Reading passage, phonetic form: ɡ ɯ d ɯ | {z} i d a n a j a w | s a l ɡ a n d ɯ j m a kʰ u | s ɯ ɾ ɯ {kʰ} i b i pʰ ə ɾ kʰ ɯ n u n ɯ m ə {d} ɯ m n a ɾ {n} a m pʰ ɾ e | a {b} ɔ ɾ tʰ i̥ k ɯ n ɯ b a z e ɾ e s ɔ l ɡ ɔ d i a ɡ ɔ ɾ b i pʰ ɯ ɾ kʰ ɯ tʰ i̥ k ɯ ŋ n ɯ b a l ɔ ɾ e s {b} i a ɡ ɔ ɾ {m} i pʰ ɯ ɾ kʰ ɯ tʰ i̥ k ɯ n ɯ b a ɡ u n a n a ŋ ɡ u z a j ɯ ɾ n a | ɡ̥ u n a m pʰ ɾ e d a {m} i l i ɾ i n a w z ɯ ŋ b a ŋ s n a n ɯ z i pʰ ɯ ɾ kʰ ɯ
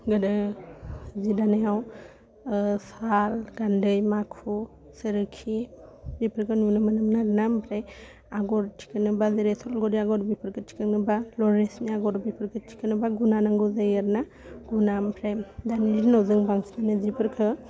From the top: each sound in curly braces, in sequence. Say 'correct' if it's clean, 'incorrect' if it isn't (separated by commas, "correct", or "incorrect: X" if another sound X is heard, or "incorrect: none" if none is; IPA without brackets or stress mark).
correct, correct, incorrect: n, correct, incorrect: ɡ, incorrect: m, incorrect: b, incorrect: n